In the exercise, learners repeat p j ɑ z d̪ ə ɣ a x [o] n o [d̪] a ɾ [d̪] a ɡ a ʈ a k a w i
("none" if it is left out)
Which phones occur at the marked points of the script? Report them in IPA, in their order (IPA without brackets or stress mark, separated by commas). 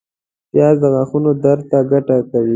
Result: u, d̪, t̪